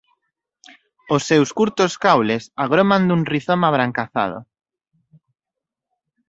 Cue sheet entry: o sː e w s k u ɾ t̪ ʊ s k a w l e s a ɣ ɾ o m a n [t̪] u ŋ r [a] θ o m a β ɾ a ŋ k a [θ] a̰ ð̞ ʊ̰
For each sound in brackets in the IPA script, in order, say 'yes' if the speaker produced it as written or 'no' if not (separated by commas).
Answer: no, no, yes